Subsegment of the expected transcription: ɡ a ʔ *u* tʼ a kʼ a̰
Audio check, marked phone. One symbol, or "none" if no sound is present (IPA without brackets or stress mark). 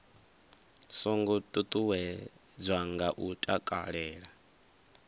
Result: u